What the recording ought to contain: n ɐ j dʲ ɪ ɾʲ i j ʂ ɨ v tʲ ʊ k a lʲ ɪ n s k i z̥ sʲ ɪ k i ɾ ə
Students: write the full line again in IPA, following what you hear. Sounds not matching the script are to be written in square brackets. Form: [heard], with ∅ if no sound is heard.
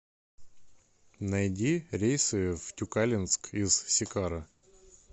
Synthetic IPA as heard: n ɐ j dʲ [i] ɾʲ [e] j [s] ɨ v tʲ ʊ k a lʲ ɪ n s k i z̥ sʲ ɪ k [a] ɾ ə